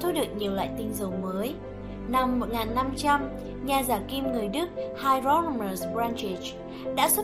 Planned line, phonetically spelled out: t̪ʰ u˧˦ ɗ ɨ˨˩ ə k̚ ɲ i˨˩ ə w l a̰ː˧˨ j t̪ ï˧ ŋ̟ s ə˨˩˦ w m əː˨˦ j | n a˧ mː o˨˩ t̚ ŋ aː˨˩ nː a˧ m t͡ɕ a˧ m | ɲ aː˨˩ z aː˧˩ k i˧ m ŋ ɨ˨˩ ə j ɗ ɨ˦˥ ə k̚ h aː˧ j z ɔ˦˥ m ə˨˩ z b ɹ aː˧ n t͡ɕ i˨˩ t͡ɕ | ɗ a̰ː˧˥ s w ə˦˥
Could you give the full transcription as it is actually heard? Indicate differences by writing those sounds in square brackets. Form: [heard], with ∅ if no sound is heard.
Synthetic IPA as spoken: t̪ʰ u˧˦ ɗ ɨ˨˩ ə k̚ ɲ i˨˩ ə w l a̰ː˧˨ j t̪ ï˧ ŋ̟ [z] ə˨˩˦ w m əː˨˦ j | n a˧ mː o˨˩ t̚ ŋ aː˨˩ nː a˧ m t͡ɕ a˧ m | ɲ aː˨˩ z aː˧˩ k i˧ m ŋ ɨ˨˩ ə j ɗ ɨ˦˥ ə k̚ h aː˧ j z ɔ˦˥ m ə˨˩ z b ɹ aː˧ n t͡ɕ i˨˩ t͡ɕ | ɗ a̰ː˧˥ s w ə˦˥